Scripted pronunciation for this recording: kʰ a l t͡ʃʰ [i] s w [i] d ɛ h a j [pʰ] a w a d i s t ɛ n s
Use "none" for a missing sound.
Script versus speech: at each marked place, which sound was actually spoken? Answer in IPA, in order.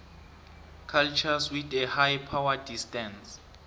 a, i, pʰ

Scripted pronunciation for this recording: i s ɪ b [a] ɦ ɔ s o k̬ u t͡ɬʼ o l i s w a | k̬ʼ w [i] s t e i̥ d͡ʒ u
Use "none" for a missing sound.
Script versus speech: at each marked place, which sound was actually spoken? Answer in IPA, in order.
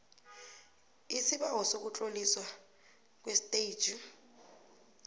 a, e

